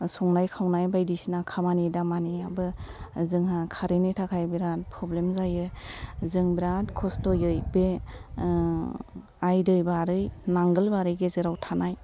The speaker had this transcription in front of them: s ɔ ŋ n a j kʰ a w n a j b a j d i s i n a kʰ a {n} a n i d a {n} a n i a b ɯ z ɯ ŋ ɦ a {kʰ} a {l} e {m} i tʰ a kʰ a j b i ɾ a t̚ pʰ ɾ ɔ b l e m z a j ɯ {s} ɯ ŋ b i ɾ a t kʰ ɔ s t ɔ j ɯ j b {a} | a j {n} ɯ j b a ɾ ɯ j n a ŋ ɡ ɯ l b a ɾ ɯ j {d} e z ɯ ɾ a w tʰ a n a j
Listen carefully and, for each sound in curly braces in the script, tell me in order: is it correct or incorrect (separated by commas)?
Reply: incorrect, incorrect, correct, incorrect, incorrect, incorrect, incorrect, incorrect, incorrect